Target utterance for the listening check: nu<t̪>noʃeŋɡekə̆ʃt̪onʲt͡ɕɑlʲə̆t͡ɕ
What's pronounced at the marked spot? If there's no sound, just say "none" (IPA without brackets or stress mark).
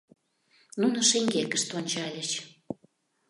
none